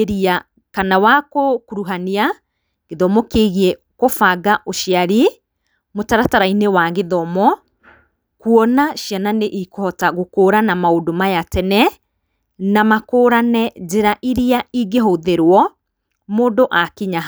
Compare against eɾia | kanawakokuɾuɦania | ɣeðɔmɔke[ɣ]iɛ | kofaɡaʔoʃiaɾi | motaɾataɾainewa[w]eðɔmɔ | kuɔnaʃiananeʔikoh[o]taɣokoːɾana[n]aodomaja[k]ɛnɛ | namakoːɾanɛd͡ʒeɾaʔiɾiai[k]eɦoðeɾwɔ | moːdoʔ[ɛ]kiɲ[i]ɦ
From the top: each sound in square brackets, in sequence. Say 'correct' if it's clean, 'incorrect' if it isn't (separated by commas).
correct, incorrect, incorrect, incorrect, incorrect, incorrect, incorrect, incorrect